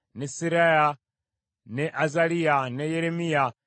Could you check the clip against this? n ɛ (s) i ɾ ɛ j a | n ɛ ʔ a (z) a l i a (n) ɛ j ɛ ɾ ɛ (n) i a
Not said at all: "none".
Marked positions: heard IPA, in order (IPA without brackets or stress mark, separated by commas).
s, z, n, m